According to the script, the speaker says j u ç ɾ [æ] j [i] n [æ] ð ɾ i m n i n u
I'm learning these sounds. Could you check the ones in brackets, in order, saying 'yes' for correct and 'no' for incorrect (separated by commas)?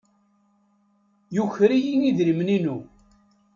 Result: no, yes, no